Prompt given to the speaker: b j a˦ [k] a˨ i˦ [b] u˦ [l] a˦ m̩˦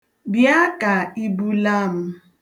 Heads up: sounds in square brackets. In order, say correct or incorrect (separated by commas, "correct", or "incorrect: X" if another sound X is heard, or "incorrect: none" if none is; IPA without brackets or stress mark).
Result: correct, correct, correct